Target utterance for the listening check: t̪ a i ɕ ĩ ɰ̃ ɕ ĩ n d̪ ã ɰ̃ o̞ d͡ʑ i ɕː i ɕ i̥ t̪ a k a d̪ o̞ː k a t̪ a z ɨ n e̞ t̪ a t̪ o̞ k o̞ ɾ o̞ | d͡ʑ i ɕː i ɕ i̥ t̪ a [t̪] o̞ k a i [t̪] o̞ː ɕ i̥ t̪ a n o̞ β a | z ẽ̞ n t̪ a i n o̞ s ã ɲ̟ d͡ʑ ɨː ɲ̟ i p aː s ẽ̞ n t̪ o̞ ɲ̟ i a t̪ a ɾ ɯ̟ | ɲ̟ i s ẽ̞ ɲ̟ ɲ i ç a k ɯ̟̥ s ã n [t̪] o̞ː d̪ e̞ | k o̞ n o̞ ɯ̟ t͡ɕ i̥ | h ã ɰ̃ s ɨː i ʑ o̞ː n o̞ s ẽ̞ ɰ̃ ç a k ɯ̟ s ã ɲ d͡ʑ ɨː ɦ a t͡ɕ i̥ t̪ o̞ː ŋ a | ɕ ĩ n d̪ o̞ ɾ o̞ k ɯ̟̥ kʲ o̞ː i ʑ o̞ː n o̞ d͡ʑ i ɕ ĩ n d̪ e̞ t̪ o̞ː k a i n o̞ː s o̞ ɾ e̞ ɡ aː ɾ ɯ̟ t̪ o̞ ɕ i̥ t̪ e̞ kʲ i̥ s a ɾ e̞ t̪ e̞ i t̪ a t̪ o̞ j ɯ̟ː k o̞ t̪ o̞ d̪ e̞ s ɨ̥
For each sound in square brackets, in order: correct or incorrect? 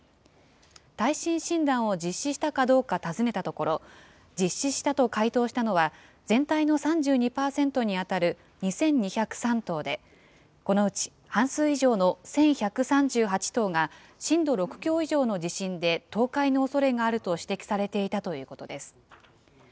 correct, correct, correct

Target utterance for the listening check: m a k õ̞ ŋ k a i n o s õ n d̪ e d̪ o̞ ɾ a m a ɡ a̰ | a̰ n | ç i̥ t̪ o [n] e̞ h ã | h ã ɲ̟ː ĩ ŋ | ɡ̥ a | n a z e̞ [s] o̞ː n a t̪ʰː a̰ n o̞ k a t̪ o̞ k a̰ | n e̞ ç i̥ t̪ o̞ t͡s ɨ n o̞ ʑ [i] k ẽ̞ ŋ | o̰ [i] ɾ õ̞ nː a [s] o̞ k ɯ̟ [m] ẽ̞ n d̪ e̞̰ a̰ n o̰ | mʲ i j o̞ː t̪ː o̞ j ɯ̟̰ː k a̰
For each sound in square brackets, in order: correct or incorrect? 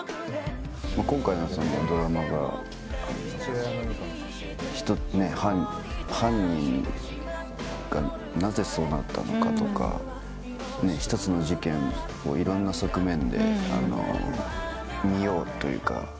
correct, correct, correct, correct, correct, correct

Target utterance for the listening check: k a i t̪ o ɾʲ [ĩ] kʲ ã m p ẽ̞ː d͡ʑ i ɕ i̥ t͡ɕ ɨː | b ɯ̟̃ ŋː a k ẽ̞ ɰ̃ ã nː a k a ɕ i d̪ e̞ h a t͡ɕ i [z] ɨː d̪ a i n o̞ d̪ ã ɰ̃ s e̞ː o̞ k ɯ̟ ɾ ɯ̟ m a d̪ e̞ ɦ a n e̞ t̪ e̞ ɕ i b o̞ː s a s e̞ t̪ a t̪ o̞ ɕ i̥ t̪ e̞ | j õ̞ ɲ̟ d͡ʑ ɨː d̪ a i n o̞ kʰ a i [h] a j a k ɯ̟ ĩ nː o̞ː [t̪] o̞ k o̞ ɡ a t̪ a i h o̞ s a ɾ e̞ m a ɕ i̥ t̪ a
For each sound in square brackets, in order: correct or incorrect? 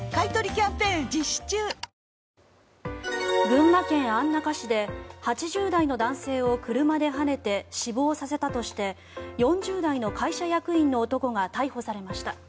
incorrect: i, incorrect: ʑ, incorrect: ɕ, correct

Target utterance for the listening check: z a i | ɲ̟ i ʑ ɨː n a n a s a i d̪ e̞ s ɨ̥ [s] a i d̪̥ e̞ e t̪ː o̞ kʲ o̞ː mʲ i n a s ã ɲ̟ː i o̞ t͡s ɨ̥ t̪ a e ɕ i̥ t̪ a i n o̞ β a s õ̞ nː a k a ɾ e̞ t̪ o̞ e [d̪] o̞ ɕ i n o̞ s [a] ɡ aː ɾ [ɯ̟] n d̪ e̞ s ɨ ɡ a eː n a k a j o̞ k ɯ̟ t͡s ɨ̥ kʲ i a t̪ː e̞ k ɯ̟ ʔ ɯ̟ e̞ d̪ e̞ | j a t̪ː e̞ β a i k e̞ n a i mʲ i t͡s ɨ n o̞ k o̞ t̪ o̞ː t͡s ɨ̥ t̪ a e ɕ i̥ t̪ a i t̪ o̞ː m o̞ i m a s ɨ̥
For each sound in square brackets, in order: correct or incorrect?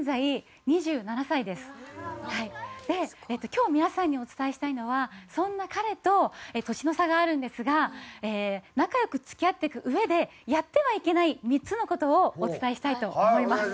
incorrect: h, incorrect: t̪, correct, incorrect: ɯ̟̃

